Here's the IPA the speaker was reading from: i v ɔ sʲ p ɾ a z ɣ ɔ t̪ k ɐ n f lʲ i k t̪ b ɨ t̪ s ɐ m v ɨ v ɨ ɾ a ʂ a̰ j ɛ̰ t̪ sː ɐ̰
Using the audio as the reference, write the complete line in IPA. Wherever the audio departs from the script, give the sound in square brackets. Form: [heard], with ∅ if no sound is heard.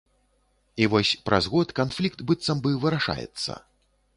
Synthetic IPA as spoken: i v ɔ sʲ p ɾ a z ɣ ɔ t̪ k [a] n f lʲ i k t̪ b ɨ t̪ s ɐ m [b] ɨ v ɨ ɾ a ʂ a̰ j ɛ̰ t̪ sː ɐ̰